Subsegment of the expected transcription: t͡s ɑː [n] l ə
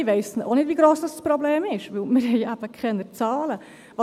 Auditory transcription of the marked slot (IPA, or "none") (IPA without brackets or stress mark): none